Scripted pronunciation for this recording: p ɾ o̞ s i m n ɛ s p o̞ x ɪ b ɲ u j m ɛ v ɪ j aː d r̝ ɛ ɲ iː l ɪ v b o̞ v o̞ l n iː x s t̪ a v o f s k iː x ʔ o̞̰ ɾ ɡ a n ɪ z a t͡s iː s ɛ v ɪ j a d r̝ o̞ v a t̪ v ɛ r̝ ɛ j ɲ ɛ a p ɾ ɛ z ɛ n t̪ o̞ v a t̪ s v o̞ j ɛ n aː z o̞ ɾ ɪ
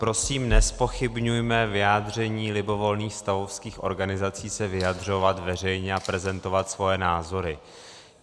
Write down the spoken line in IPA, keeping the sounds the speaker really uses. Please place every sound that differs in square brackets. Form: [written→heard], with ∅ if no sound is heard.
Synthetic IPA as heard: p ɾ o̞ s [i→iː] m n ɛ s p o̞ x ɪ b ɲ u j m ɛ v ɪ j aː d r̝ ɛ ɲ iː l ɪ [v→∅] b o̞ v o̞ l n iː x s t̪ a v o f s k iː x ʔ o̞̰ ɾ ɡ a n ɪ z a t͡s iː s ɛ v ɪ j a d r̝ o̞ v a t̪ v ɛ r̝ ɛ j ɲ ɛ a p ɾ ɛ z ɛ n t̪ o̞ v a t̪ s v o̞ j ɛ n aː z o̞ ɾ ɪ